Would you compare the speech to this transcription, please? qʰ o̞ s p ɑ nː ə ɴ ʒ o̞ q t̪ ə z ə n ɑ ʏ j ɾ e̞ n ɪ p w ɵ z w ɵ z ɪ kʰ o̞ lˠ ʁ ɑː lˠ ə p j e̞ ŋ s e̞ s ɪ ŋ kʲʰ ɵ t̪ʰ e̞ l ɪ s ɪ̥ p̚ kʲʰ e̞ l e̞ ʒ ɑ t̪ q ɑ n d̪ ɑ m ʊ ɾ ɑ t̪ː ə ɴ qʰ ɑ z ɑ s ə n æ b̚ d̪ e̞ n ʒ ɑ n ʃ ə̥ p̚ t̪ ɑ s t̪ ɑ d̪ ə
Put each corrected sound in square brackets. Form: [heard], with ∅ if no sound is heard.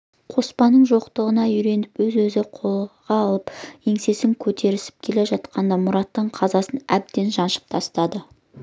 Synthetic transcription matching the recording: qʰ o̞ s p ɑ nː ə ɴ ʒ o̞ q t̪ ə [ʁ] ə n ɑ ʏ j ɾ e̞ n ɪ p w ɵ z w ɵ z ɪ [qʰ] o̞ lˠ ʁ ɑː lˠ ə p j e̞ ŋ s e̞ s ɪ ŋ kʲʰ ɵ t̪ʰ e̞ [ɾ] ɪ s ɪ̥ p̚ kʲʰ e̞ l e̞ ʒ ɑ t̪ q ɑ n d̪ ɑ m ʊ ɾ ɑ t̪ː ə ɴ qʰ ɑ z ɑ s ə n æ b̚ d̪ e̞ n ʒ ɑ n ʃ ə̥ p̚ [t̪ʰ] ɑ s t̪ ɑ d̪ ə